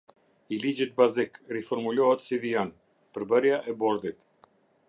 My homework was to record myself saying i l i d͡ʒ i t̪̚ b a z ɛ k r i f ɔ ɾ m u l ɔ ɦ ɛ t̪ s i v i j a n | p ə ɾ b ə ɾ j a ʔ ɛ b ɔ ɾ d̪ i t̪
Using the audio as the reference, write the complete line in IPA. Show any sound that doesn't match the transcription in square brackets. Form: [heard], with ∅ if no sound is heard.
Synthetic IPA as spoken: i l i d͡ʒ i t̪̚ b a z [i] k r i f ɔ ɾ m u l ɔ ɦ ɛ t̪ s i v i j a n | p ə ɾ b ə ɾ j a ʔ ɛ b ɔ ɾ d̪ i t̪